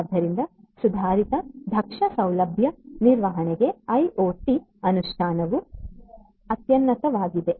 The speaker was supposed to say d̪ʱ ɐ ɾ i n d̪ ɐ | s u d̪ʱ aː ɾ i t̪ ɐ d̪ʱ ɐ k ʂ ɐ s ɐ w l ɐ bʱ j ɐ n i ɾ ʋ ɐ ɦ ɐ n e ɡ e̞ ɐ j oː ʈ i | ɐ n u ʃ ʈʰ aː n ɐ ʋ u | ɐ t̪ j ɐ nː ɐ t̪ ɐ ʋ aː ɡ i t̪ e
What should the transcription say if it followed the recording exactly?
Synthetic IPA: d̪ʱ ɐ ɾ i n d̪ ɐ | s u d̪ʱ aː ɾ i t̪ ɐ d̪ʱ ɐ k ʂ ɐ s ɐ w l ɐ bʱ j ɐ n i ɾ ʋ ɐ ɦ ɐ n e ɡ e̞ ɐ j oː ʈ i | ɐ n u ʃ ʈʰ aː n ɐ ʋ u | ɐ t̪ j ɐ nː ɐ t̪ ɐ ʋ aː ɡ i d̪ e

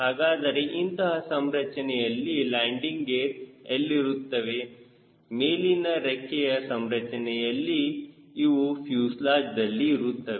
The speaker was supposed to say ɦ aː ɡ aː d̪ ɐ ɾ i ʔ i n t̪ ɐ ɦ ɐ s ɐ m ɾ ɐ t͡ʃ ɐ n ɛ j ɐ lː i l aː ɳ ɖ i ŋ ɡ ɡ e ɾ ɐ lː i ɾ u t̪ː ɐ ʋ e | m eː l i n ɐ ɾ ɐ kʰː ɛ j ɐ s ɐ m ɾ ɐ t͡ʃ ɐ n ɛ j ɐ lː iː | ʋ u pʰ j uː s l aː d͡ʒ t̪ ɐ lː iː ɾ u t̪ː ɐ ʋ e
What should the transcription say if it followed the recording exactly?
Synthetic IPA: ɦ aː ɡ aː d̪ ɐ ɾ e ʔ i n t̪ ɐ ɦ ɐ s ɐ m ɾ ɐ t͡ʃ ɐ n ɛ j ɐ lː i l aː ɳ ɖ i ŋ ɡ ɡ e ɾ ɐ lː i ɾ u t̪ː ɐ ʋ e | m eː l i n ɐ ɾ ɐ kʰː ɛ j ɐ s ɐ m ɾ ɐ t͡ʃ ɐ n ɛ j ɐ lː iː | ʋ u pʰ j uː s l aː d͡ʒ d̪ ɐ lː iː ɾ u t̪ː ɐ ʋ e

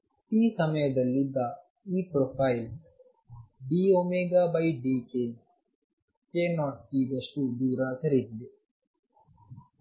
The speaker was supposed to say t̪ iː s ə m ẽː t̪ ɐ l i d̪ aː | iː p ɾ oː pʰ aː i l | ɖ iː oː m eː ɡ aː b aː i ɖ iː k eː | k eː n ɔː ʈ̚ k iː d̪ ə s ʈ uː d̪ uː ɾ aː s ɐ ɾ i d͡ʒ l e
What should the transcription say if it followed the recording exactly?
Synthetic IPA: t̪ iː s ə m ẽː d̪ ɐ l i d̪ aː | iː p ɾ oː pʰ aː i l | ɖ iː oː m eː ɡ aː b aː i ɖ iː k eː | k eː n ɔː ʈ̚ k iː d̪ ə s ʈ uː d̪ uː ɾ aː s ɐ ɾ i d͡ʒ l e

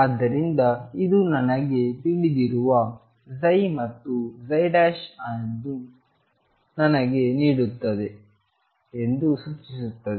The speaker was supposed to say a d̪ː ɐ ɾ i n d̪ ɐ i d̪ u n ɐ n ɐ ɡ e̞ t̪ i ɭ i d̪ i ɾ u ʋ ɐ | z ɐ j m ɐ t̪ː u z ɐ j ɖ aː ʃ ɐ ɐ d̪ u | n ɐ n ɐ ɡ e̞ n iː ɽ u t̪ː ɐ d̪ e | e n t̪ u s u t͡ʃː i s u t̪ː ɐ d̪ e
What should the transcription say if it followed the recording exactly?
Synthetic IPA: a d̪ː ɐ ɾ i n d̪ ɐ i d̪ u n ɐ n ɐ ɡ e̞ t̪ i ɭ i d̪ i ɾ u ʋ ɐ | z ɐ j m ɐ t̪ː u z ɐ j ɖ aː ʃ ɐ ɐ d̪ u | n ɐ n ɐ ɡ e̞ n iː ɽ u t̪ː ɐ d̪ e | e n d̪ u s u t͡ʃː i s u t̪ː ɐ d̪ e

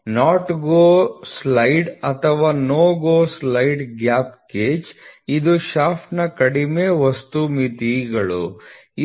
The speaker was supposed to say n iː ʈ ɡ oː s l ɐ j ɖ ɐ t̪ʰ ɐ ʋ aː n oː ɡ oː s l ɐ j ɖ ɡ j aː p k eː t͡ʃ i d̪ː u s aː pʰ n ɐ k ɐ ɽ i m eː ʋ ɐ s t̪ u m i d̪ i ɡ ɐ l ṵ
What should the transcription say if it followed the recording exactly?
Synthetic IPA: n aː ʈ ɡ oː s l ɐ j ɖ ɐ t̪ʰ ɐ ʋ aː n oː ɡ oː s l ɐ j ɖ ɡ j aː p k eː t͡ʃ i d̪ u ʃ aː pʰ n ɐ k ɐ ɽ i m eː ʋ ɐ s t̪ u m i t̪ i ɡ ɐ ɭ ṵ

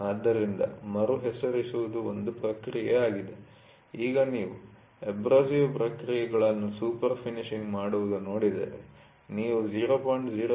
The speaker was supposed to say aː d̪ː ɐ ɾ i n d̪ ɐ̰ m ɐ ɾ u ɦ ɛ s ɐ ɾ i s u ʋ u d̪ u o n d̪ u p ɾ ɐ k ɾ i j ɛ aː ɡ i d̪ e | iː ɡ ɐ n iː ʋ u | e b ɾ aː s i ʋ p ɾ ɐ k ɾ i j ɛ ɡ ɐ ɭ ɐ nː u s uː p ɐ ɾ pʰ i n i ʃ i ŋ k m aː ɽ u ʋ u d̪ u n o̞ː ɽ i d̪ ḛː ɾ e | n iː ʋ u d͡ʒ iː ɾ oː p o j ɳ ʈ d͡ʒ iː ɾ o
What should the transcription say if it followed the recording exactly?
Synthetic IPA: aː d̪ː ɐ ɾ i n d̪ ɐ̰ m ɐ ɾ u ɦ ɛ s ɐ ɾ i s u ʋ u d̪ u o n d̪ u p ɾ ɐ k ɾ i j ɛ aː ɡ i d̪ e | iː ɡ ɐ n iː ʋ u | e b ɾ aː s i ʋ p ɾ ɐ k ɾ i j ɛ ɡ ɐ ɭ ɐ nː u s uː p ɐ ɾ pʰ i n i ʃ i ŋ ɡ m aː ɽ u ʋ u d̪ u n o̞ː ɽ i d̪ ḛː ɾ e | n iː ʋ u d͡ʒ iː ɾ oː p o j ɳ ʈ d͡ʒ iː ɾ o

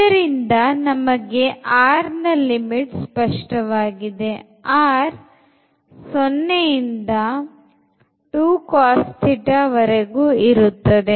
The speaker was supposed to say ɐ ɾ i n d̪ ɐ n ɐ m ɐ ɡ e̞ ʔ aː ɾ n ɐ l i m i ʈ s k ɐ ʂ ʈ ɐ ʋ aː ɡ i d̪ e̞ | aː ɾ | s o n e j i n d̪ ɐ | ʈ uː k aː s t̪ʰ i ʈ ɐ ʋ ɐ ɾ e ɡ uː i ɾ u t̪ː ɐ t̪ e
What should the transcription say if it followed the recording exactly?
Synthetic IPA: ɐ ɾ i n d̪ ɐ n ɐ m ɐ ɡ e̞ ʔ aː ɾ n ɐ l i m i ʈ s p ɐ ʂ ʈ ɐ ʋ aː ɡ i d̪ e̞ | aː ɾ | s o nː e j i n d̪ ɐ | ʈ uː k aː s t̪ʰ i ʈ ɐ ʋ ɐ ɾ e ɡ uː i ɾ u t̪ː ɐ d̪ e

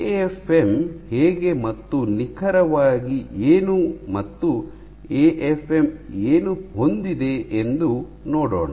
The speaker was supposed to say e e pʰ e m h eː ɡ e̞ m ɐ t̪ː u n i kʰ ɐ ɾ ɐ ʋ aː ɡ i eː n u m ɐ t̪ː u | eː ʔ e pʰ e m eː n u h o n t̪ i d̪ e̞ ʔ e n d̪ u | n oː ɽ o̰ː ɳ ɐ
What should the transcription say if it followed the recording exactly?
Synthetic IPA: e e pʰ e m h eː ɡ e̞ m ɐ t̪ː u n i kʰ ɐ ɾ ɐ ʋ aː ɡ i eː n u m ɐ t̪ː u | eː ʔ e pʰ e m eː n u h o n d̪ i d̪ e̞ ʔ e n d̪ u | n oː ɽ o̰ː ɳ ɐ

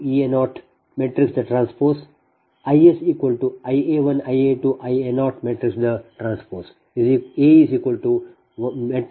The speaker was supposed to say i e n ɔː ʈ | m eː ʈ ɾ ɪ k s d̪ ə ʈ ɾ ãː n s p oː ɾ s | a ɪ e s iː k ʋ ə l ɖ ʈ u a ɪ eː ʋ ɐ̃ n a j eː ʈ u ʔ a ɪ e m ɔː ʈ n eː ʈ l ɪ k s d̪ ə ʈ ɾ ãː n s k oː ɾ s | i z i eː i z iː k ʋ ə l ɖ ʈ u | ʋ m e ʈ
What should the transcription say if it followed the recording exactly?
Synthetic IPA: i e n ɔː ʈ | m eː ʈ ɾ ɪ k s d̪ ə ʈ ɾ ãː n s p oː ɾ s | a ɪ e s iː k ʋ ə l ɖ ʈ u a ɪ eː ʋ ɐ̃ n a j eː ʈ u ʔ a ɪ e n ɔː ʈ m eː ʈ ɾ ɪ k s d̪ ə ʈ ɾ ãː n s p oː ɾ s | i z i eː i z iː k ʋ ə l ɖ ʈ u | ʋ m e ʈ

